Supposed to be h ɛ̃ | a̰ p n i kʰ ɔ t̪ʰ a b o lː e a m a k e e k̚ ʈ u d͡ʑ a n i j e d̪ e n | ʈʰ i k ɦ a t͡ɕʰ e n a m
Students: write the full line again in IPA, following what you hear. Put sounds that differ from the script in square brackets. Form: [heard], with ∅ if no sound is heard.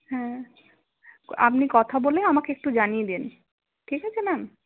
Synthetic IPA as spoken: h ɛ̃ | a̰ p n i [k] ɔ t̪ʰ a b o [l] e a m a k e e k̚ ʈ u d͡ʑ a n i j e d̪ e n | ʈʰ i k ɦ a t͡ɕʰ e n a m